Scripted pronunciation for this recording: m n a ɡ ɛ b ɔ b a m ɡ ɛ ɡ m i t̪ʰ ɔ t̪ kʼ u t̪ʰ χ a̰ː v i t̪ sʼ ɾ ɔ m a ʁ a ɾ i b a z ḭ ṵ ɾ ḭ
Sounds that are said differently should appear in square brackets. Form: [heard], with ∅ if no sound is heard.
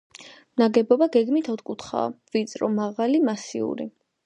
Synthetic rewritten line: m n a ɡ ɛ b ɔ b a [∅] ɡ ɛ ɡ m i t̪ʰ ɔ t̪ kʼ u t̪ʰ χ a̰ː v i t̪ sʼ ɾ ɔ m a ʁ a [l] i [m] a [s] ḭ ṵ ɾ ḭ